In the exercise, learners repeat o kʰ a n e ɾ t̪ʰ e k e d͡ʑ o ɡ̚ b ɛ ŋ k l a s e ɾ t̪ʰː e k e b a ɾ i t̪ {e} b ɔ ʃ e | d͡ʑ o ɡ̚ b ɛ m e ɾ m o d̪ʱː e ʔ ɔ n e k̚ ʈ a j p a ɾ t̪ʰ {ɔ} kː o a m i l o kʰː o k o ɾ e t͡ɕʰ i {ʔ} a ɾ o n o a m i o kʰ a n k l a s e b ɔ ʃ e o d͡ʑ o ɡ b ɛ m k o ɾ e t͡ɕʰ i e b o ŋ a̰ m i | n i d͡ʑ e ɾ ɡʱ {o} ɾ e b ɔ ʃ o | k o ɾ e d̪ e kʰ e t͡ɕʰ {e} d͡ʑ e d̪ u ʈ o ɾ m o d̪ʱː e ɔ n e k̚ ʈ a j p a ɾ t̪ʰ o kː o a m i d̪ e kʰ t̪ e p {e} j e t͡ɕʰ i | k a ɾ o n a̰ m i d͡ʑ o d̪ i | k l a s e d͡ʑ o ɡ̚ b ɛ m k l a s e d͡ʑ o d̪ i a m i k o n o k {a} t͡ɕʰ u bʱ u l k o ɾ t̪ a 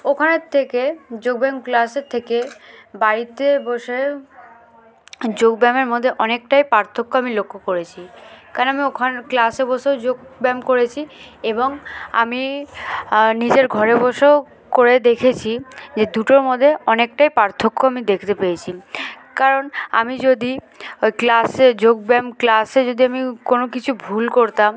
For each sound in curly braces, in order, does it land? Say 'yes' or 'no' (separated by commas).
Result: yes, no, no, no, no, yes, no